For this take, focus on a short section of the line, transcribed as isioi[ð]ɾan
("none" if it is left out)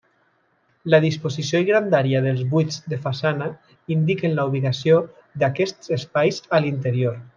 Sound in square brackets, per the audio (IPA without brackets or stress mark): ɣ